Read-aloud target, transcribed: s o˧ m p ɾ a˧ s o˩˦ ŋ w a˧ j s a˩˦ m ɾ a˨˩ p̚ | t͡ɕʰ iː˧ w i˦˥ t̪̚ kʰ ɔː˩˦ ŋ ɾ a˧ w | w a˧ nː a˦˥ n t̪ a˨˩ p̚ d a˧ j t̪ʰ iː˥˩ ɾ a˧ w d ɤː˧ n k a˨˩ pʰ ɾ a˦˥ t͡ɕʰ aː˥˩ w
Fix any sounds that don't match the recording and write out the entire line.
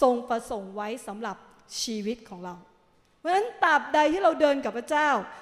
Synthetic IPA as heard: s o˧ ŋ p ɾ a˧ s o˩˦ ŋ w a˦˥ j s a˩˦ m ɾ a˨˩ p̚ | t͡ɕʰ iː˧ w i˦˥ t̪̚ kʰ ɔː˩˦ ŋ ɾ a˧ w | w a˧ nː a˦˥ n t̪ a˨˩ p̚ d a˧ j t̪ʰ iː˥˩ ɾ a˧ w d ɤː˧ n k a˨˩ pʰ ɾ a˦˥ t͡ɕ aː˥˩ w